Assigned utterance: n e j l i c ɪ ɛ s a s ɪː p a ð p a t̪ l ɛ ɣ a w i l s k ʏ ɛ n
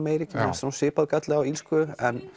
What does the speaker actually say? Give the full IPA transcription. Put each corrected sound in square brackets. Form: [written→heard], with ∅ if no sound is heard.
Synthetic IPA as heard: [n→m] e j [l→ɾ] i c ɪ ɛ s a s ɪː p a ð [p→k] a t̪ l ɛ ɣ a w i l s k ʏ ɛ n